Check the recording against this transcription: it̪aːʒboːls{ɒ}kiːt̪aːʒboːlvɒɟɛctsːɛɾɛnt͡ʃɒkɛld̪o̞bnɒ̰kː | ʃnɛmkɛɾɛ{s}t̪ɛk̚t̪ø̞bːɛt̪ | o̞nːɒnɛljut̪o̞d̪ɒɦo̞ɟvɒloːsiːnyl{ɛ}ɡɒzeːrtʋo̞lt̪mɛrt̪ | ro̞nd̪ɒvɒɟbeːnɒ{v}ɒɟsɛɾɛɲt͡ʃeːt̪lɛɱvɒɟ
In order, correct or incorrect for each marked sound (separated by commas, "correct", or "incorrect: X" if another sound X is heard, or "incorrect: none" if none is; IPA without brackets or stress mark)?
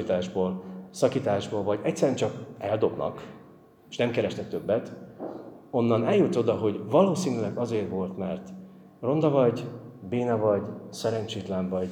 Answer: correct, incorrect: ʃ, correct, correct